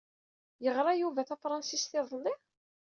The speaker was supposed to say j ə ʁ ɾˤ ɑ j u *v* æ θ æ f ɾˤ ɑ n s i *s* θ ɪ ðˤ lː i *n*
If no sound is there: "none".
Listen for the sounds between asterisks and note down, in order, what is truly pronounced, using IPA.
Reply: v, s, none

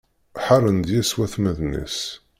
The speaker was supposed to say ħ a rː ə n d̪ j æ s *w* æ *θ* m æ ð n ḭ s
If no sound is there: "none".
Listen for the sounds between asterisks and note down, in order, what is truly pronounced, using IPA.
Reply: w, θ

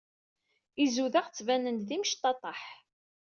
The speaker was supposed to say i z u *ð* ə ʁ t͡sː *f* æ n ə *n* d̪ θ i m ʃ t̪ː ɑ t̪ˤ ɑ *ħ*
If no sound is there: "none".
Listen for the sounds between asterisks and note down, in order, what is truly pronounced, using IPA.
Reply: ð, v, n, ħ

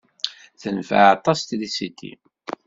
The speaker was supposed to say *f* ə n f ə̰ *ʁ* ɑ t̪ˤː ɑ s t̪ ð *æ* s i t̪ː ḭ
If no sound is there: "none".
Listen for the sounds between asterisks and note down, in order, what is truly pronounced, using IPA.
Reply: θ, ʕ, i

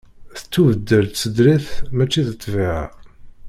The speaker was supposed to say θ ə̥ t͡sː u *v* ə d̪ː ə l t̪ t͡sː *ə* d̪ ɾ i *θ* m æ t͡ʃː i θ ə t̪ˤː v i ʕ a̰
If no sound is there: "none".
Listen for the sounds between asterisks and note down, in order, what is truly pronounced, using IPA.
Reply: v, ə, θ

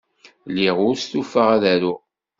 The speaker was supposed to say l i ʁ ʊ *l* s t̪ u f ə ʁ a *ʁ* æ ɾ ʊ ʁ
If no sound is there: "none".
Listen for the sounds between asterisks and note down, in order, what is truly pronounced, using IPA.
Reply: ɾ, ð

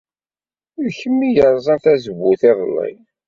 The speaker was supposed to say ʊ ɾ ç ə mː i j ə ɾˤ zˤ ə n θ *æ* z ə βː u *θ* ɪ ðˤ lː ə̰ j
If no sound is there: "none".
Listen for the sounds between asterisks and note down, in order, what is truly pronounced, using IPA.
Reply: æ, θ

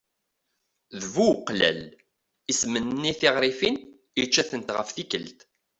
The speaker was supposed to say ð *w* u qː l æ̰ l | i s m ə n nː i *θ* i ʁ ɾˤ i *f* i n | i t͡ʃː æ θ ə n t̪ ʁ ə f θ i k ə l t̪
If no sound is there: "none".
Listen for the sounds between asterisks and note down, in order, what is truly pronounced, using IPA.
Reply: v, θ, f

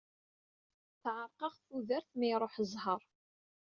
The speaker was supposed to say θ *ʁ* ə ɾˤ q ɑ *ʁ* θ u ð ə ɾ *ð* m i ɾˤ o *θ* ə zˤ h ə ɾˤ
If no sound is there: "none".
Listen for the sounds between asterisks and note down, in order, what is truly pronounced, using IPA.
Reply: ʕ, ʁ, θ, ħ

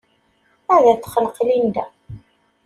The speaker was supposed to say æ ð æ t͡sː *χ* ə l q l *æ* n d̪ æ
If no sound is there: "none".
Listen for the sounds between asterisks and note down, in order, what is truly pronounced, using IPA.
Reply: χ, i

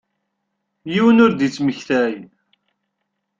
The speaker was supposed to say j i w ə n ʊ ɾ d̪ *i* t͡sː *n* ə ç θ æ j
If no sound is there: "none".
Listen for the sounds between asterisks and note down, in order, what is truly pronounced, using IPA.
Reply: i, m

